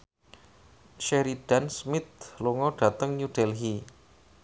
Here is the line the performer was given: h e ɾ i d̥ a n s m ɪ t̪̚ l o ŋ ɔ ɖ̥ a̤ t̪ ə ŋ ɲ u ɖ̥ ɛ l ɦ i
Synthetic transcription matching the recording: ʃ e ɾ i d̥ a n s m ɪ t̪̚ l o ŋ ɔ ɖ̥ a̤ t̪ ə ŋ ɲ u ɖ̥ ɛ l ɦ i